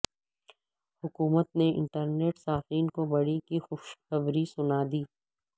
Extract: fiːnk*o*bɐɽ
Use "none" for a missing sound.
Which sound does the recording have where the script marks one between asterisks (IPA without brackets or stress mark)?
o